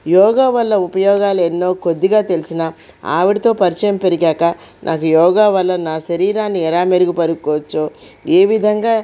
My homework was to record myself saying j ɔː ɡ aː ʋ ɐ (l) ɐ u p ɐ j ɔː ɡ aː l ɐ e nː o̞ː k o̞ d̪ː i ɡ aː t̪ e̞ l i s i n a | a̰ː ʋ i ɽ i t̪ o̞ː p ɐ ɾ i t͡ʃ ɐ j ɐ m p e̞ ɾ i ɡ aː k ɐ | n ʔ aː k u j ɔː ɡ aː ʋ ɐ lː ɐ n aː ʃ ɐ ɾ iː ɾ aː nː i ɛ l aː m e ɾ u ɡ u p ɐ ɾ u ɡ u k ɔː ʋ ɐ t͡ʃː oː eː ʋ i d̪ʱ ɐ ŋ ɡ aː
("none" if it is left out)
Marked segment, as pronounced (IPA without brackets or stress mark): lː